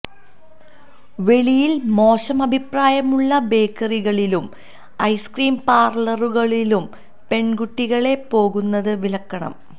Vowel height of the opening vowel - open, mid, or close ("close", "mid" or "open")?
mid